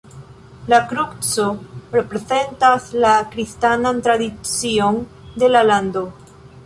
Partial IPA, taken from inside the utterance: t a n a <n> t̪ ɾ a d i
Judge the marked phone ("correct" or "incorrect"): correct